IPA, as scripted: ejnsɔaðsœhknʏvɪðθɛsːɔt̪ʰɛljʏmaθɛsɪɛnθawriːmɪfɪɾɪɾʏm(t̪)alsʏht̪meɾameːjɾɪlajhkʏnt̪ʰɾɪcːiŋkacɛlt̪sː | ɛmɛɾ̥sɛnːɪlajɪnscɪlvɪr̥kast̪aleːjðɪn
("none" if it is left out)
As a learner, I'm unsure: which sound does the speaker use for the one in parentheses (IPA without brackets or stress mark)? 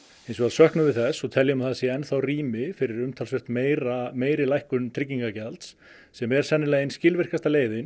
t̪ʰ